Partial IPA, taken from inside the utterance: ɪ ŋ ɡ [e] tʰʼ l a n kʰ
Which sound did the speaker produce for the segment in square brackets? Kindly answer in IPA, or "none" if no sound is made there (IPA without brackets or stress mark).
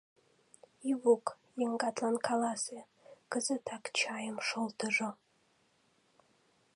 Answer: a